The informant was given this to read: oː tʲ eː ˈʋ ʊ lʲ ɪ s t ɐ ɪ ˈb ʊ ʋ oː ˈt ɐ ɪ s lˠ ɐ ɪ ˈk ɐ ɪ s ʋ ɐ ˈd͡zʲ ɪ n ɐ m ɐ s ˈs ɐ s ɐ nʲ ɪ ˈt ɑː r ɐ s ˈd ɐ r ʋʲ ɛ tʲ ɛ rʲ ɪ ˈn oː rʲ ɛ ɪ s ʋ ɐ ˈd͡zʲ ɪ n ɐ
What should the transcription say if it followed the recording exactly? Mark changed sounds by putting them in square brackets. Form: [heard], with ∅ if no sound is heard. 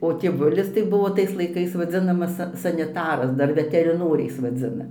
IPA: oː tʲ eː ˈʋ ʊ lʲ ɪ s t ɐ ɪ ˈb ʊ ʋ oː ˈt ɐ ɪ s lˠ ɐ ɪ ˈk ɐ ɪ s ʋ ɐ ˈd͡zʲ ɪ n ɐ m ɐ s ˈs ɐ s ɐ nʲ ɪ ˈt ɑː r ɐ s ˈd ɐ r ʋʲ ɛ tʲ ɛ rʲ ɪ ˈn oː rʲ ɛ ɪ s ʋ ɐ ˈd͡zʲ ɪ n ɐ